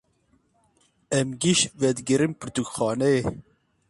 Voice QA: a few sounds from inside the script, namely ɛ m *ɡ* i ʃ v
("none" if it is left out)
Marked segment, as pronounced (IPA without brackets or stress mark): ɡ